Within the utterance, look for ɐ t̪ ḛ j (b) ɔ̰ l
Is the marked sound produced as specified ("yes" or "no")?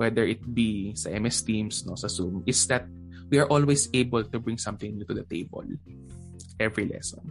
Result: yes